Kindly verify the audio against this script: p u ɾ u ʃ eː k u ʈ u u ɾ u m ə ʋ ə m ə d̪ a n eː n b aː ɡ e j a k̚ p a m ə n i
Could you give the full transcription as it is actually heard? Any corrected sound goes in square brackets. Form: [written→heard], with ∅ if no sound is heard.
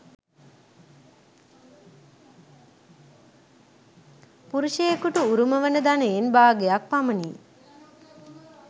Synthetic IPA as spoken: p u ɾ u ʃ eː k u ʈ u u ɾ u m ə ʋ ə [m→n] ə d̪ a n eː n b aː ɡ e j a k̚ p a m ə n i